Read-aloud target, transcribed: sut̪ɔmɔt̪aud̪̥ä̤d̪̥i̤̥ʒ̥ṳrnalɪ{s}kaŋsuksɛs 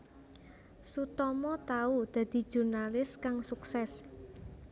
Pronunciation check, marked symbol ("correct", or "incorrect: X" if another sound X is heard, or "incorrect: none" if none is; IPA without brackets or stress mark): correct